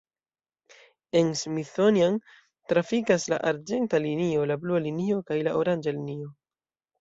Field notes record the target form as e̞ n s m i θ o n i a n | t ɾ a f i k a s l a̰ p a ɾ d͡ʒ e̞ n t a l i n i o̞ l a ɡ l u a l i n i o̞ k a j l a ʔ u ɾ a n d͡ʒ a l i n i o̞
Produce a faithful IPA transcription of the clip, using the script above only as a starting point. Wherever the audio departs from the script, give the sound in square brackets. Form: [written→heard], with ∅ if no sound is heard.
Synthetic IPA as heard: e̞ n s m i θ o n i a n | t ɾ a f i k a s l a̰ [p→ʔ] a ɾ d͡ʒ e̞ n t a l i n i o̞ l a [ɡ→b] l u a l i n i o̞ k a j l a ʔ [u→o] ɾ a n d͡ʒ a l i n i o̞